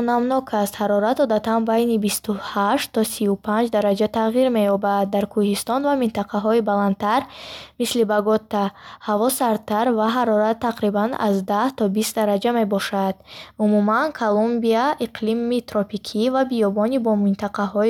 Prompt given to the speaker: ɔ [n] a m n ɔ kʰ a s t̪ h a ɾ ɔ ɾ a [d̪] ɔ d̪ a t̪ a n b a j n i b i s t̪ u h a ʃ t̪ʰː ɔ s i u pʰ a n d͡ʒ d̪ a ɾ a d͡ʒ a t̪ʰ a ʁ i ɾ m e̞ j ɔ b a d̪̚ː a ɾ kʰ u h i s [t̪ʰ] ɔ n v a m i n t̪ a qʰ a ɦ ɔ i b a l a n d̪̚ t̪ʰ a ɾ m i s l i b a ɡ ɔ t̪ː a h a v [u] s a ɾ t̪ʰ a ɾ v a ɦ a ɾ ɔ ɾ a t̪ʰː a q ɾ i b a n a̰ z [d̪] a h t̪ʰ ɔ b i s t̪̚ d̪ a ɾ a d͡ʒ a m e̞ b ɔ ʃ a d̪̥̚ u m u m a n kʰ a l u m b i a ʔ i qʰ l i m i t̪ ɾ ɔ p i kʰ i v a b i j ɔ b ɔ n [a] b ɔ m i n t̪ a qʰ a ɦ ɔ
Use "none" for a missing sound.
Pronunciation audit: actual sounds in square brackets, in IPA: n, t̪, t̪, ɔ, d̪, i

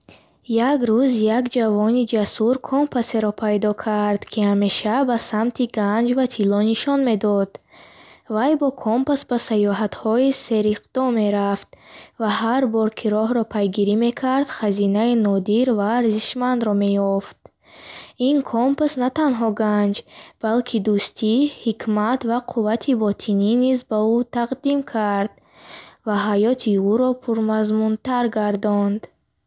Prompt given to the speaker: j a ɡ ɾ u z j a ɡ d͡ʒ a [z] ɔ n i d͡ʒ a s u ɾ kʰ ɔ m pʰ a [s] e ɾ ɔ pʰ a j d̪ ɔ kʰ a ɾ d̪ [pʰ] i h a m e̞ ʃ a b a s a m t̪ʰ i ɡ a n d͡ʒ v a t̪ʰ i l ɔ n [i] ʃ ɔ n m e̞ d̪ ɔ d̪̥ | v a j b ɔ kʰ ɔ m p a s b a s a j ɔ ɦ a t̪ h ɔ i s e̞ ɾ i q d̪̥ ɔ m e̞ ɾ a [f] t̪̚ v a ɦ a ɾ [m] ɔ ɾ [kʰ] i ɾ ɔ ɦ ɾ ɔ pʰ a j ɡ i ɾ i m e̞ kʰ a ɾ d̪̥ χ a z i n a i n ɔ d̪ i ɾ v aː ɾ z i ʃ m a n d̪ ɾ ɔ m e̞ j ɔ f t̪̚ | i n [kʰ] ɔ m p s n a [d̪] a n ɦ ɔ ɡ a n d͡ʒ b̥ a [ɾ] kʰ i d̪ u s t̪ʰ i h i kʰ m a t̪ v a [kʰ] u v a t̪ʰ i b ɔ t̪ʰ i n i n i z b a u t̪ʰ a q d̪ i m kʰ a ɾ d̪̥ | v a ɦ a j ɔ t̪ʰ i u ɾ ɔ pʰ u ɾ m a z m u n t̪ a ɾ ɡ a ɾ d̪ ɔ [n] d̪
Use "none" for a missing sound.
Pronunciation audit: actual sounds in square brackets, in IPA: v, s, kʰ, i, f, b, kʰ, kʰ, t̪, l, qʰ, n

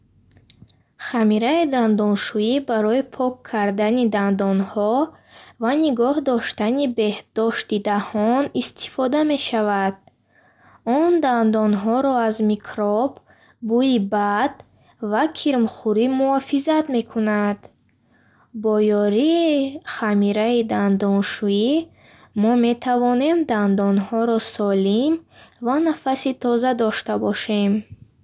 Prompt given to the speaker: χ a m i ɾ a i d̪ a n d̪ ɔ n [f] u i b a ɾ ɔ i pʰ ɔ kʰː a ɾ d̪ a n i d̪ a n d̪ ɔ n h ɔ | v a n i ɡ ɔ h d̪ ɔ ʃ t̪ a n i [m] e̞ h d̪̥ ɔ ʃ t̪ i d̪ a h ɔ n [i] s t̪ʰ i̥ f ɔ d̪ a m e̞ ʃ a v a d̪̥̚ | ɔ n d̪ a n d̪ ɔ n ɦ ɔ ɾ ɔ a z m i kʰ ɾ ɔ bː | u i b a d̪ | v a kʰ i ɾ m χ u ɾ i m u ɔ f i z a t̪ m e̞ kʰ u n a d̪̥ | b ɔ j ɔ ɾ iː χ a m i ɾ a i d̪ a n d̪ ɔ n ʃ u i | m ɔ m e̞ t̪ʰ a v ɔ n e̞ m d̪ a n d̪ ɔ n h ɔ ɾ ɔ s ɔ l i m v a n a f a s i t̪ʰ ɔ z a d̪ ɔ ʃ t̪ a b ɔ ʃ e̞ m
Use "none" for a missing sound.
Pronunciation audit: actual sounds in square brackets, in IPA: ʃ, b, i

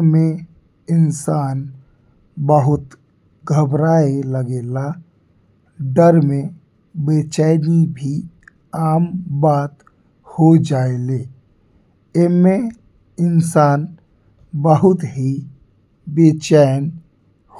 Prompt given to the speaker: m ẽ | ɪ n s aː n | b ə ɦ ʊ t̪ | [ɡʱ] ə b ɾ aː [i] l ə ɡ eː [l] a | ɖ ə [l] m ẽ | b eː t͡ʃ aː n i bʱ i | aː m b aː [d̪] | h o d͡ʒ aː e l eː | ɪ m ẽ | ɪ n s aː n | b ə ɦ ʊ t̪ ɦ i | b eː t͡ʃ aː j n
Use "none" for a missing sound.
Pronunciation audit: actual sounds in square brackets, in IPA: ɡʱ, e, l, ɾ, t̪

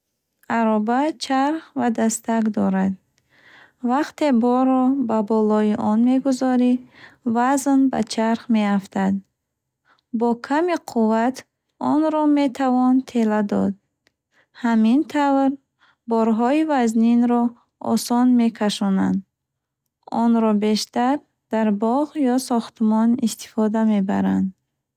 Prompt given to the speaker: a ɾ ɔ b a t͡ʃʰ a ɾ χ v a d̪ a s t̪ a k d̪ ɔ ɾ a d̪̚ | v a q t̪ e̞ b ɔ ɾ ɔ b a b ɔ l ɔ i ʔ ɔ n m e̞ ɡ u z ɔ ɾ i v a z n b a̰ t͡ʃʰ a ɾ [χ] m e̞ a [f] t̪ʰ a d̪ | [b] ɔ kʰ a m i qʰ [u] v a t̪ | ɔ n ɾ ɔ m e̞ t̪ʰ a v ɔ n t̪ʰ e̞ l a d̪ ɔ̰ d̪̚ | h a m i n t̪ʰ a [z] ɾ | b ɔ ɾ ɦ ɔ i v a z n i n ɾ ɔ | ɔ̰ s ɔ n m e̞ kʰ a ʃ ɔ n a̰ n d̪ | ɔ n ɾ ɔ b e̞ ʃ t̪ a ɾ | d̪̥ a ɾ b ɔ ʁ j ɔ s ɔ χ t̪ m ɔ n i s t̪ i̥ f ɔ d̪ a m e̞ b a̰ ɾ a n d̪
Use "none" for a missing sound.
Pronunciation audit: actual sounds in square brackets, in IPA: χ, f, b, u, v

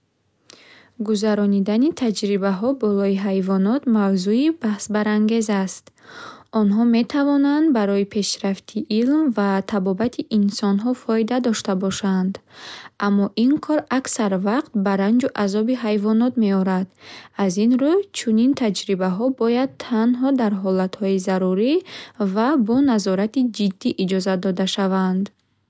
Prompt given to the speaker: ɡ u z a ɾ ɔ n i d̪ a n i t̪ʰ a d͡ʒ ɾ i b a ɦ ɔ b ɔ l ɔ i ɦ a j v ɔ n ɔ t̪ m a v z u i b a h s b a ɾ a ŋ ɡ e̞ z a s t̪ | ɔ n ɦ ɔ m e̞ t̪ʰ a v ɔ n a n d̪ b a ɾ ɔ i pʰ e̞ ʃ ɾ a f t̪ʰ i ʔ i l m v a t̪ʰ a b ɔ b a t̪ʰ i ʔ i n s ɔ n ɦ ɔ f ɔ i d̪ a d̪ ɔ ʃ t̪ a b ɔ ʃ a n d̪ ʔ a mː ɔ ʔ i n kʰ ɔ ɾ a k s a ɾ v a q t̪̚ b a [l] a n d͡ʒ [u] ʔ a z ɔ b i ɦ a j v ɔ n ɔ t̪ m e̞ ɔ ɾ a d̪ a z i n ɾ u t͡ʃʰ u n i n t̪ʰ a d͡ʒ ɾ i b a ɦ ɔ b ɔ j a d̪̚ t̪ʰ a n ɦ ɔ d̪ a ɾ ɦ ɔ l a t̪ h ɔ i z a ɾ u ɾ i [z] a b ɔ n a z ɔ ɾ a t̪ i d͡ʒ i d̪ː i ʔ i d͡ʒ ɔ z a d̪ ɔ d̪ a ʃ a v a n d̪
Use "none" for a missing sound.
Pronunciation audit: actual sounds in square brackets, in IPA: ɾ, u, v

